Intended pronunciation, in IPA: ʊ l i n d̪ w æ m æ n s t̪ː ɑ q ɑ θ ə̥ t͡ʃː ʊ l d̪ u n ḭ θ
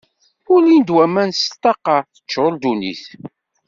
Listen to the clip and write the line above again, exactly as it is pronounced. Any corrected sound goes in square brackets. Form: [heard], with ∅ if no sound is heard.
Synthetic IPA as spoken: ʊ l i n d̪ w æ m æ n s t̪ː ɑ q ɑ θ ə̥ t͡ʃː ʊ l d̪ u n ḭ θ